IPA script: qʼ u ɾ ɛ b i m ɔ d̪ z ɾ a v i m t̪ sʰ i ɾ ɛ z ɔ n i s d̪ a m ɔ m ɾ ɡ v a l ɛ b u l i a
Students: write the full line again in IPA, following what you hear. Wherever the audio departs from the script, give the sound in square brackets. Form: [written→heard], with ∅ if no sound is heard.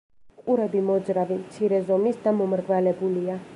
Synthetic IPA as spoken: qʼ u ɾ ɛ b i m ɔ d̪ z ɾ a v i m t̪ sʰ i ɾ ɛ z ɔ [n→m] i s d̪ a m ɔ m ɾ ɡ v a l ɛ b u l i a

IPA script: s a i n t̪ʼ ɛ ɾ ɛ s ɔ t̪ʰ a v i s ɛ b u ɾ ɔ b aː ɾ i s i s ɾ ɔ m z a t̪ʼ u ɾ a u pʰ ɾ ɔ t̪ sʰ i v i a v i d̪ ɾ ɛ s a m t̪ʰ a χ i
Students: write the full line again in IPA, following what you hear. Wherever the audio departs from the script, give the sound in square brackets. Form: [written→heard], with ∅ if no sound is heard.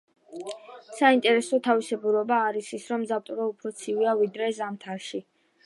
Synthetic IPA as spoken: s a i n t̪ʼ ɛ ɾ ɛ s ɔ t̪ʰ a v i s ɛ b u ɾ ɔ b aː ɾ i s i s ɾ ɔ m z a t̪ʼ u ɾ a u pʰ ɾ ɔ t̪ sʰ i v i a v i d̪ ɾ ɛ [s→z] a m t̪ʰ a [χ→ʃ] i

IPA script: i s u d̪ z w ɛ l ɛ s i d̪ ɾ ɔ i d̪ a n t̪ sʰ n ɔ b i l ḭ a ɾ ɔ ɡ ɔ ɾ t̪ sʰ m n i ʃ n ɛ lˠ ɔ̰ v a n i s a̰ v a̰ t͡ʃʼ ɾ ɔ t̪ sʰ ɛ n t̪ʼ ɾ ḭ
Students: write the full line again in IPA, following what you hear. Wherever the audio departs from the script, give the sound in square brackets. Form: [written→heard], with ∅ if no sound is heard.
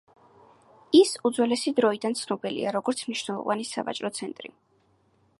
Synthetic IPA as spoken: i s u d̪ z w ɛ l ɛ s i d̪ ɾ ɔ i d̪ a n t̪ sʰ n ɔ b i l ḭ a ɾ ɔ ɡ ɔ ɾ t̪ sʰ m n i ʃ n ɛ lˠ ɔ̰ v a n i s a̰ v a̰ t͡ʃʼ ɾ ɔ t̪ sʰ ɛ n t̪ʼ ɾ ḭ

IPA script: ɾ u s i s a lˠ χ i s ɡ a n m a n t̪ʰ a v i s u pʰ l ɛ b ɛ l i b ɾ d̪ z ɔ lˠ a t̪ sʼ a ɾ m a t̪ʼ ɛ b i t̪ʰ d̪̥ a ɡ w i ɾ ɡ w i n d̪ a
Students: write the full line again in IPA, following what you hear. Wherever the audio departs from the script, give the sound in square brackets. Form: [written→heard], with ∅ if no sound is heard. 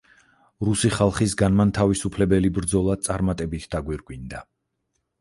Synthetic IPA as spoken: ɾ u s i [s→χ] a lˠ χ i s ɡ a n m a n t̪ʰ a v i s u pʰ l ɛ b ɛ l i b ɾ d̪ z ɔ lˠ a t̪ sʼ a ɾ m a t̪ʼ ɛ b i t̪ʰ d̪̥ a ɡ w i ɾ ɡ w i n d̪ a

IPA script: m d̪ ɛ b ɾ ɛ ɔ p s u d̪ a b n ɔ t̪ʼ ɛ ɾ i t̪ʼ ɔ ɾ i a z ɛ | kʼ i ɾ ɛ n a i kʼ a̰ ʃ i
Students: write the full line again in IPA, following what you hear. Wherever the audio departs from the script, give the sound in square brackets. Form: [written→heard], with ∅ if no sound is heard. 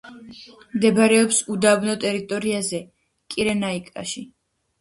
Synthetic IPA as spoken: m d̪ ɛ b ɾ ɛ ɔ p s u d̪ a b n ɔ t̪ʼ ɛ ɾ i t̪ʼ ɔ ɾ i a z ɛ | kʼ i ɾ ɛ n a i kʼ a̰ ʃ i

